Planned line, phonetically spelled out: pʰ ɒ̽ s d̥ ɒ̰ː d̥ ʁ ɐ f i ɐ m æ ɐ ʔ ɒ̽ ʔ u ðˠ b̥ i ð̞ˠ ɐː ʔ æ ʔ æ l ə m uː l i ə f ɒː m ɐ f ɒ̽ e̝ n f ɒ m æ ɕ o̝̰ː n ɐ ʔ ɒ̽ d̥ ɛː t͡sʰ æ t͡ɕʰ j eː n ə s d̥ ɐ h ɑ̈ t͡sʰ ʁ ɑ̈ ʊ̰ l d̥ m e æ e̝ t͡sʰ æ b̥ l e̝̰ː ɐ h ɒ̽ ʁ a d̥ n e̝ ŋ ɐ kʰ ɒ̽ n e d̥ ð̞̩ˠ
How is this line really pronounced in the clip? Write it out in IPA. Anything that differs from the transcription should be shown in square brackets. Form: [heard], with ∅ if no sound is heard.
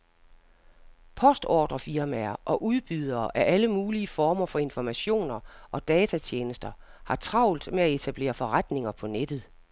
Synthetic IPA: pʰ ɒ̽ s d̥ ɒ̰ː d̥ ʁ ɐ f i ɐ m æ ɐ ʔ ɒ̽ ʔ u ðˠ b̥ [y] ð̞ˠ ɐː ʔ æ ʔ æ l ə m uː l i ə f ɒː m ɐ f ɒ̽ e̝ n f ɒ m æ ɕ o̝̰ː n ɐ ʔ ɒ̽ d̥ ɛː t͡sʰ æ t͡ɕʰ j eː n ə s d̥ ɐ h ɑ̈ t͡sʰ ʁ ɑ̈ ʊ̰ l d̥ m e æ e̝ t͡sʰ æ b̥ l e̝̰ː ɐ [f] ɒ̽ ʁ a d̥ n e̝ ŋ ɐ [pʰ] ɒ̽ n e d̥ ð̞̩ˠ

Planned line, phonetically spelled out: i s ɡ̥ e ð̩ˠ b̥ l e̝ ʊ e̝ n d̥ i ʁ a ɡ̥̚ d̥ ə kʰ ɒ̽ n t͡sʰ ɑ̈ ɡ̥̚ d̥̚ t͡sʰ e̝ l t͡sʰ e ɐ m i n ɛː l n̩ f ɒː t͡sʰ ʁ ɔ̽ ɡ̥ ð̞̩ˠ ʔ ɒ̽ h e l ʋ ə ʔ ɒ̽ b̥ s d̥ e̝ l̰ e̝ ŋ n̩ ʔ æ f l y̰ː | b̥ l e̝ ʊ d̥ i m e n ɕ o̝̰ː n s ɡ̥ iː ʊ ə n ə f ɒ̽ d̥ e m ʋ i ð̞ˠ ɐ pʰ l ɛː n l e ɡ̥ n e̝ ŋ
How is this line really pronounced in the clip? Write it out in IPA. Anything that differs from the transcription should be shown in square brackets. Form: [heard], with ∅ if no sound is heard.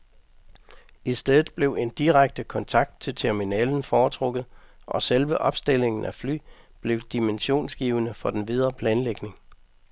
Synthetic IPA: i s [d̥] e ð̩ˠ b̥ l e̝ ʊ e̝ n d̥ i ʁ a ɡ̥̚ d̥ ə kʰ ɒ̽ n t͡sʰ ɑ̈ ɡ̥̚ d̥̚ t͡sʰ e̝ l t͡sʰ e ɐ m i n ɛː l n̩ f ɒː t͡sʰ ʁ ɔ̽ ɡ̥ ð̞̩ˠ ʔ ɒ̽ [s] e l ʋ ə ʔ ɒ̽ b̥ s d̥ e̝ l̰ e̝ ŋ n̩ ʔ æ f l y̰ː | b̥ l e̝ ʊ d̥ i m e n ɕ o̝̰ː n s ɡ̥ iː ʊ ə n ə f ɒ̽ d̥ e [n] ʋ i ð̞ˠ ɐ pʰ l ɛː n l e ɡ̥ n e̝ ŋ

